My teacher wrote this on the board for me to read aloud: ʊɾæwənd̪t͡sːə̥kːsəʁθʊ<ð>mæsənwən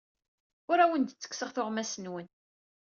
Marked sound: incorrect: ʁ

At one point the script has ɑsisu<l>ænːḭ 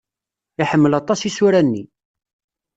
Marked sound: incorrect: ɾ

